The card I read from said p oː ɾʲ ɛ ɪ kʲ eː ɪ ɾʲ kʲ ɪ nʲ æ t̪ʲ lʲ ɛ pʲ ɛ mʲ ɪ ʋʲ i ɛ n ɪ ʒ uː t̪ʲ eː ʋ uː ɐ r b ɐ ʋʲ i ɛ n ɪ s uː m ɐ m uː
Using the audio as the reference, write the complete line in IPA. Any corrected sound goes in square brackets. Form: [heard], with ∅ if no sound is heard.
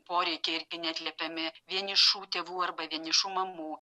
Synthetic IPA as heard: p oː ɾʲ ɛ ɪ kʲ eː ɪ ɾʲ [ɡʲ] ɪ nʲ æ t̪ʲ lʲ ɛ pʲ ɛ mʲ ɪ ʋʲ i ɛ n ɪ [ʃ] uː t̪ʲ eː ʋ uː ɐ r b ɐ ʋʲ i ɛ n ɪ [ʃ] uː m ɐ m uː